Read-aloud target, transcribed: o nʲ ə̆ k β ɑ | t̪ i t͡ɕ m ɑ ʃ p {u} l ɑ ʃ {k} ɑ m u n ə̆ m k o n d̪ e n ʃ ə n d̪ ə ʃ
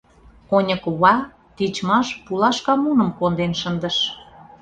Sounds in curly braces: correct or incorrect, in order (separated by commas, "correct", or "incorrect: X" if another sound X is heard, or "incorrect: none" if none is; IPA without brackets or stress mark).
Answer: correct, correct